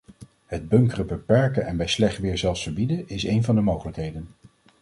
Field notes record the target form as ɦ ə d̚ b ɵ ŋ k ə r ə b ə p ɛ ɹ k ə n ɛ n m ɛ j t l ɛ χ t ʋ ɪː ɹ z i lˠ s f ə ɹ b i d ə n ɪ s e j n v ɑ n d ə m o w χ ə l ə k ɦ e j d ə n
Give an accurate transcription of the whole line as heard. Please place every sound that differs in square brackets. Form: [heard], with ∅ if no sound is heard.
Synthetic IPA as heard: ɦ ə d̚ b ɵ ŋ k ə r ə b ə p ɛ ɹ k ə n ɛ n [b] ɛ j [s] l ɛ χ t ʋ ɪː ɹ z [ɛ] lˠ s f ə ɹ b i d ə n ɪ s e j n v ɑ n d ə m o w χ ə l ə k ɦ e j d ə n